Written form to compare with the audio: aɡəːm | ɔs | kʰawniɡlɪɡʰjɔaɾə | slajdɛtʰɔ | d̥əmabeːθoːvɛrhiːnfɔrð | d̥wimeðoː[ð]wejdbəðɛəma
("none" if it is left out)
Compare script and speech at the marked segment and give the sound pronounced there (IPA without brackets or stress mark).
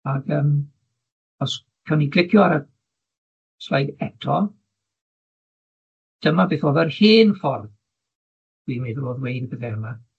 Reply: ð